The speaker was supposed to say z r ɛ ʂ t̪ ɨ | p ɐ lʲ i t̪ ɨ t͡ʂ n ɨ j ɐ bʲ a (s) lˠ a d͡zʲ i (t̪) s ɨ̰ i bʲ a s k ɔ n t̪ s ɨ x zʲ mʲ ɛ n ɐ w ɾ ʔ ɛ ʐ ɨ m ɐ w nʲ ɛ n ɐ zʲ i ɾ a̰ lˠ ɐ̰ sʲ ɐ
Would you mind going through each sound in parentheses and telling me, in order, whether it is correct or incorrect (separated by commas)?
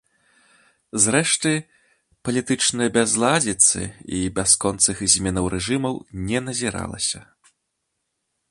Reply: incorrect, correct